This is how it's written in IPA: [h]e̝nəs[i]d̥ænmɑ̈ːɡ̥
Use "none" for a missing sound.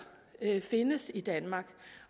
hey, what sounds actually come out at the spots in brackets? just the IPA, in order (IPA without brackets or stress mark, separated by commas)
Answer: f, i